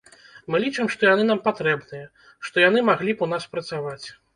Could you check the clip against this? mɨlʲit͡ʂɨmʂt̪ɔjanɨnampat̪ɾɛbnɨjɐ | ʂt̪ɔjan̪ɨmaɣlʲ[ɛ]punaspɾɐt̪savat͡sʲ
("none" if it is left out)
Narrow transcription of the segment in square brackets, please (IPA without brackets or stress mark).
i